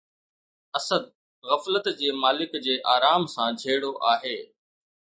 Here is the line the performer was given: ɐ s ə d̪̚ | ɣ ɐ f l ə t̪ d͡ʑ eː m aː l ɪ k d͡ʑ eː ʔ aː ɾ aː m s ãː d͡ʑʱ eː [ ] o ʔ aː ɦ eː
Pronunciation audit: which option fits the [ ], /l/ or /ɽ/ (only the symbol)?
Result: ɽ